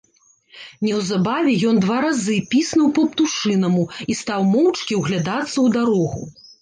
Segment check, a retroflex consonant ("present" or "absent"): present